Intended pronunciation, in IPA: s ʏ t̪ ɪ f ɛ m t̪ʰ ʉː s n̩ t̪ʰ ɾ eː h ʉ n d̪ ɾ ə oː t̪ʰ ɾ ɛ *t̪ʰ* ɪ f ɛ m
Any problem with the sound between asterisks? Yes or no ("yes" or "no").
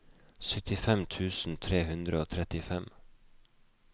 yes